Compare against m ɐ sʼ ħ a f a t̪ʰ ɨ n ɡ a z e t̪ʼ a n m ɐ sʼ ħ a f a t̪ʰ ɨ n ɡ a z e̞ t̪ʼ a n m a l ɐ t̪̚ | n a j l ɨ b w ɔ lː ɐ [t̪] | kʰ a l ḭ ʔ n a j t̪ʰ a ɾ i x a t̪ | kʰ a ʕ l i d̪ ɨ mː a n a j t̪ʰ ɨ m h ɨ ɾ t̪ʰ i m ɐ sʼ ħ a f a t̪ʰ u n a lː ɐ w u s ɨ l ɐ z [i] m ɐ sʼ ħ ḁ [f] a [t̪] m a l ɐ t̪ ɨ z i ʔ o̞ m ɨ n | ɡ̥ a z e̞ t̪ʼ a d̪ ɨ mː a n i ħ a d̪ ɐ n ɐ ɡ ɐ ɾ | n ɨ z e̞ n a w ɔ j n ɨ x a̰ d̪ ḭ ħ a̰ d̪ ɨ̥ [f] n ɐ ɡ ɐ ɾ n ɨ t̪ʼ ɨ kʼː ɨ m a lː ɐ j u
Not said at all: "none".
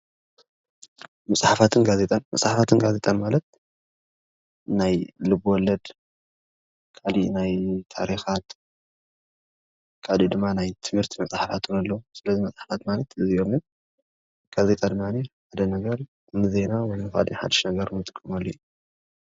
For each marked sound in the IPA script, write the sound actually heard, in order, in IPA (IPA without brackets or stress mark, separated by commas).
d̪, i, f, t̪, ʃ